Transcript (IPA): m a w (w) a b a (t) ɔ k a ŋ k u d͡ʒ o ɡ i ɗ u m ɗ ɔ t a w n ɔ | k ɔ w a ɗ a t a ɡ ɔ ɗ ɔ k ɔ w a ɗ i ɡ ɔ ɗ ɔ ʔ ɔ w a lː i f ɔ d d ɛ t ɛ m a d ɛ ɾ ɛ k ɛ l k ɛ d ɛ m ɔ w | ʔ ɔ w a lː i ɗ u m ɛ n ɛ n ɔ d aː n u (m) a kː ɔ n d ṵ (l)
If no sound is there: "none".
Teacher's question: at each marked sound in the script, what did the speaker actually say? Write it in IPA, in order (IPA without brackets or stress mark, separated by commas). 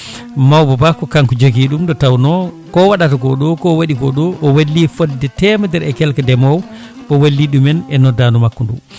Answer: b, k, m, none